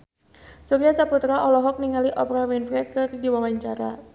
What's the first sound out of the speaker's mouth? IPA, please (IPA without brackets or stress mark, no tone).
s